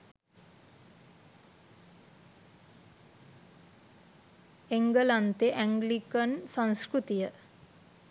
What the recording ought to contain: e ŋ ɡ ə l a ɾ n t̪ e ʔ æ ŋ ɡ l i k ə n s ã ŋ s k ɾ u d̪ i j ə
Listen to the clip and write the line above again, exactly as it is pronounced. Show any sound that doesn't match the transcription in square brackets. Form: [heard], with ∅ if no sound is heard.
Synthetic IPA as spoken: e ŋ ɡ ə l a [∅] n t̪ e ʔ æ ŋ ɡ l i k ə n s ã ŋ s k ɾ u [t̪] i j ə